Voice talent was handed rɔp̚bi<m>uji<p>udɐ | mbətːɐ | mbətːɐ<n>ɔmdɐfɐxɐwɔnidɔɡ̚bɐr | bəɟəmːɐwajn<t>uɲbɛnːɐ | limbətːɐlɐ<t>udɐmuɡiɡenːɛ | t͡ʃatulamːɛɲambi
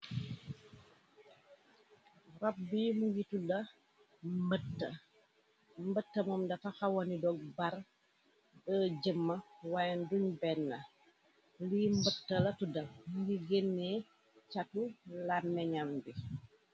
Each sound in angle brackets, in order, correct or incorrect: correct, incorrect: t, incorrect: m, incorrect: d, correct

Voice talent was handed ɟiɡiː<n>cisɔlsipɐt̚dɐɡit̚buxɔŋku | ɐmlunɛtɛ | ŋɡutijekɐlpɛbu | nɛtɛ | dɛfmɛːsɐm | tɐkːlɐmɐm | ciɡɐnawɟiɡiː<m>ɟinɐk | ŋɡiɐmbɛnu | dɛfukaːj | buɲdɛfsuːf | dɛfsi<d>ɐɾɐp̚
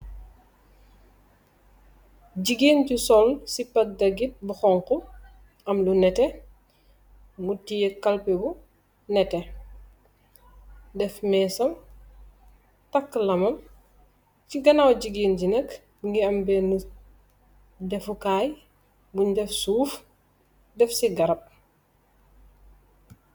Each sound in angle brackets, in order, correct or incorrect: correct, incorrect: n, incorrect: ɡ

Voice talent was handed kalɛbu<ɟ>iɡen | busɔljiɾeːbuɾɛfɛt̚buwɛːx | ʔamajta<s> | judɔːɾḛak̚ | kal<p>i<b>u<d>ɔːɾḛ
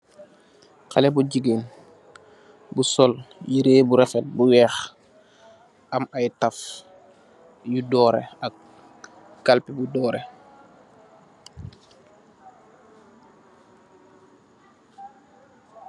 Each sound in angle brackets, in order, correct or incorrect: correct, incorrect: f, correct, correct, correct

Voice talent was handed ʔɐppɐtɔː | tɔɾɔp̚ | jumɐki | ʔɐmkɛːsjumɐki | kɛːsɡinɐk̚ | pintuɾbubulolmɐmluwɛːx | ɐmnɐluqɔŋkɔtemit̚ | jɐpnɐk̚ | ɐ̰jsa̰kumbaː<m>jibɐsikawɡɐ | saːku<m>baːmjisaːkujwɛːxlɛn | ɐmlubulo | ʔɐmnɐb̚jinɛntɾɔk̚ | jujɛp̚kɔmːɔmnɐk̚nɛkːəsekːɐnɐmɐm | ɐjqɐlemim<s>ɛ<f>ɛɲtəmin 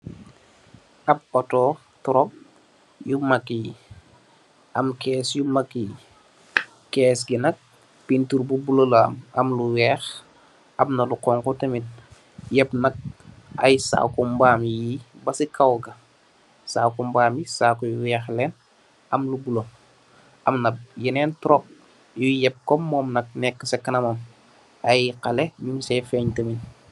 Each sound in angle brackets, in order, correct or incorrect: correct, correct, correct, correct

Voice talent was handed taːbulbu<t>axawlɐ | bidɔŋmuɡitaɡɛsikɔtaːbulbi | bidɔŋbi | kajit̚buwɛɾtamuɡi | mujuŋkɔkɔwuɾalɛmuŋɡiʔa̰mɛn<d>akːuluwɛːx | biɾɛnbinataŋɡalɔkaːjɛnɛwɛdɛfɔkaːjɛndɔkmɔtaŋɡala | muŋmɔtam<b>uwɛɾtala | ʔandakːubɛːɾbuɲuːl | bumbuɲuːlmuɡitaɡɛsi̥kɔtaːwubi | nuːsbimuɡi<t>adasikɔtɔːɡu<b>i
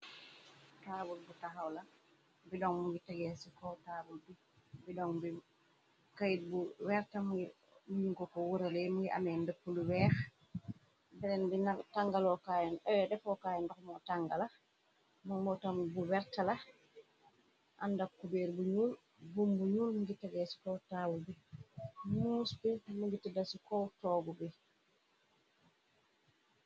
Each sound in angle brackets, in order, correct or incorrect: correct, correct, correct, correct, correct

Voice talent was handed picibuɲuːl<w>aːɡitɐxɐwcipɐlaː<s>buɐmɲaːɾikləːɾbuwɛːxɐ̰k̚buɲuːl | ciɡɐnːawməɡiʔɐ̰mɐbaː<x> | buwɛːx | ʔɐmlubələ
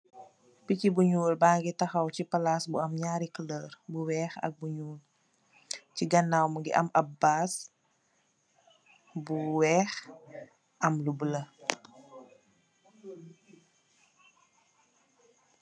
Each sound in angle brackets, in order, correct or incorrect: incorrect: b, correct, incorrect: s

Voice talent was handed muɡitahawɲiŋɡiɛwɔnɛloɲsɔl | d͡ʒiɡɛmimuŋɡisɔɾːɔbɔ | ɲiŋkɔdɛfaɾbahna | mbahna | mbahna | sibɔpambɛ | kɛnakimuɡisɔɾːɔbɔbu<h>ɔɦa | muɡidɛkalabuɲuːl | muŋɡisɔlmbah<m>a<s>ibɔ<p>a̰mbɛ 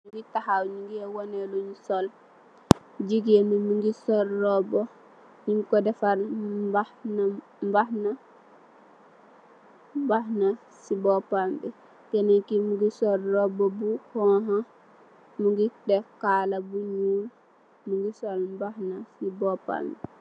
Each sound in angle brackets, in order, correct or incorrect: correct, incorrect: n, correct, correct

